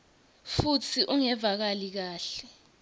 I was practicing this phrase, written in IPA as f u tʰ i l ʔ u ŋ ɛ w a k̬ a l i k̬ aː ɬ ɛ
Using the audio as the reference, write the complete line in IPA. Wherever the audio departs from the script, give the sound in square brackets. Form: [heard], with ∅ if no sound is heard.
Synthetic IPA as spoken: f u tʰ i [∅] ʔ u ŋ ɛ [v] a k̬ a l i k̬ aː ɬ ɛ